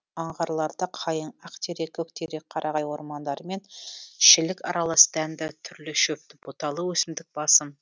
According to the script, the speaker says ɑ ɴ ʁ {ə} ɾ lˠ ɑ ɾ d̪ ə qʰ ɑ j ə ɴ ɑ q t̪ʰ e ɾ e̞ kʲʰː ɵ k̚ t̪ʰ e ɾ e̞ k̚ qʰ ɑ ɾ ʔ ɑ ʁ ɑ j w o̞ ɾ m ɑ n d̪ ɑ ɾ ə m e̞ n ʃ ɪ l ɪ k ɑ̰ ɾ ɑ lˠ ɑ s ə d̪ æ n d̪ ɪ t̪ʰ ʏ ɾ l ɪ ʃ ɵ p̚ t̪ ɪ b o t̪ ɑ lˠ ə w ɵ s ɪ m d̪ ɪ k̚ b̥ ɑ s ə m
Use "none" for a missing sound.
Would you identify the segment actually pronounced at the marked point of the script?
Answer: ɑ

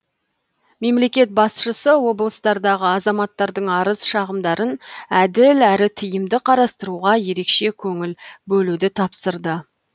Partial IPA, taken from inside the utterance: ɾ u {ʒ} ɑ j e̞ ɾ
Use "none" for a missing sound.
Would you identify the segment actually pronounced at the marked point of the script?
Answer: ʁ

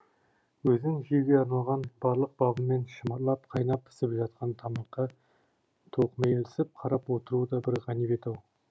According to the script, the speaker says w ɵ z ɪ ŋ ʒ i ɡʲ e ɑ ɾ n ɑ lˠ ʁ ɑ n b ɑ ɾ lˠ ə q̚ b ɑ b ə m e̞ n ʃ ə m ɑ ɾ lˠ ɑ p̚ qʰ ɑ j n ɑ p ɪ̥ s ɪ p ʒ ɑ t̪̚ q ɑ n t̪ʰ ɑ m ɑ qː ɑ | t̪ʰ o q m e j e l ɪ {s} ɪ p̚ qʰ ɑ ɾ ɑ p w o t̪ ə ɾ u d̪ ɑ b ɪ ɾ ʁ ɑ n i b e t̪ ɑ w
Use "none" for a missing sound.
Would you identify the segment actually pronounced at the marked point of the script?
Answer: s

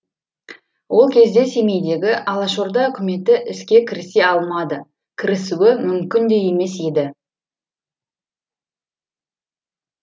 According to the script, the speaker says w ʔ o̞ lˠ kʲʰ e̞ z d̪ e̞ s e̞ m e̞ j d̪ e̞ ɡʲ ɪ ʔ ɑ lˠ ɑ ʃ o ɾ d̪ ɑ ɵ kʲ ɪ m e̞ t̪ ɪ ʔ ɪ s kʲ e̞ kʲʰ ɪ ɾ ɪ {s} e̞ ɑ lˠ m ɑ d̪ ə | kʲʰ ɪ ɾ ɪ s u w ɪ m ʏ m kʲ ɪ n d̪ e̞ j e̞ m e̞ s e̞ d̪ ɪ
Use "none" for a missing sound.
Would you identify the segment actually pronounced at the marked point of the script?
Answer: s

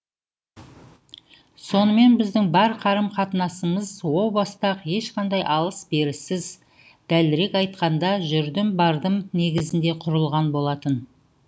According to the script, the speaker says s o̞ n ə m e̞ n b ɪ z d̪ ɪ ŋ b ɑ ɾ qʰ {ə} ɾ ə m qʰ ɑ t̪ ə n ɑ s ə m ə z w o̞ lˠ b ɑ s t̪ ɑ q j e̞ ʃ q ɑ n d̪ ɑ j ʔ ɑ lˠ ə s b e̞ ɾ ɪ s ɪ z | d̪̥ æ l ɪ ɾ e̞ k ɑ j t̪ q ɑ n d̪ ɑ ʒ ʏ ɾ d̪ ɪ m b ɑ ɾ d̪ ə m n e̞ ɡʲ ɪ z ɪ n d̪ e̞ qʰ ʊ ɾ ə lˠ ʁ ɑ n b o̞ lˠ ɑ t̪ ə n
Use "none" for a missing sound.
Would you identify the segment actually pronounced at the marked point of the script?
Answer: ɑ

